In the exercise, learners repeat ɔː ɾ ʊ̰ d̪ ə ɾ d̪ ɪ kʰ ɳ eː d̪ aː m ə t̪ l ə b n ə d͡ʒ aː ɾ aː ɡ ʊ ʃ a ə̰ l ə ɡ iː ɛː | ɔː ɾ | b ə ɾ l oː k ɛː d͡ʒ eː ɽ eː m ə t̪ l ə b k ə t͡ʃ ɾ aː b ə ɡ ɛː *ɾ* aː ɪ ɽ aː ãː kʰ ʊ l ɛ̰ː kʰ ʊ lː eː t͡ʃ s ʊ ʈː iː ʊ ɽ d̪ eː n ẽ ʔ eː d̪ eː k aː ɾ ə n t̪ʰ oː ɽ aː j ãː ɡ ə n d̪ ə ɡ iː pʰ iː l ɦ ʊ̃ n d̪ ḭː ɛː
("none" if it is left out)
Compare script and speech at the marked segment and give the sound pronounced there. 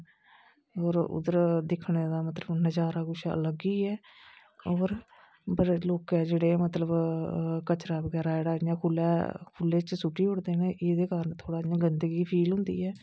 ɾ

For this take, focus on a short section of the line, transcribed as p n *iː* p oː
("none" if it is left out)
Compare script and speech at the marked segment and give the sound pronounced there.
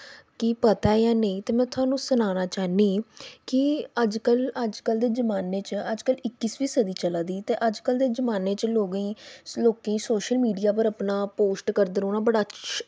aː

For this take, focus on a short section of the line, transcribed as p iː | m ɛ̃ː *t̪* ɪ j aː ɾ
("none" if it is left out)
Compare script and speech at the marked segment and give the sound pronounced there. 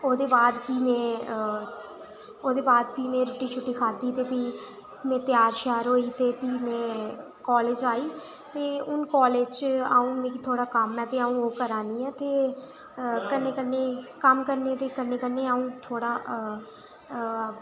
t̪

